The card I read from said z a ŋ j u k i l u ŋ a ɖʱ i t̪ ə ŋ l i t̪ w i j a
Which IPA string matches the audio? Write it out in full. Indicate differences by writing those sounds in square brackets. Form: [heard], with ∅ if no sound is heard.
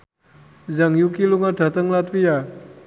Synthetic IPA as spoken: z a ŋ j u k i l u ŋ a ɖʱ [a] t̪ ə ŋ l [a] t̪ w i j a